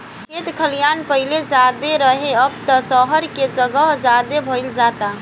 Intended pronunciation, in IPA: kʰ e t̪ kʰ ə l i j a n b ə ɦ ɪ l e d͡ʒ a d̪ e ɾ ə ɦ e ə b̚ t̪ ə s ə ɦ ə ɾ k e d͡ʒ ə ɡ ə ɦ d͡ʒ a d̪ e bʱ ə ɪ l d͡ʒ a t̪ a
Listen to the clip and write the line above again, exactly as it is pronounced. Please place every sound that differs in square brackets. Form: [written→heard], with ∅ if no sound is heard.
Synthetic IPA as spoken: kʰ e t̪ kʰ ə l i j a n [b→p] ə ɦ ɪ l e d͡ʒ a d̪ e ɾ ə ɦ e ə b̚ t̪ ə s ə ɦ ə ɾ k e d͡ʒ ə ɡ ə ɦ d͡ʒ a d̪ e bʱ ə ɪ l d͡ʒ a t̪ a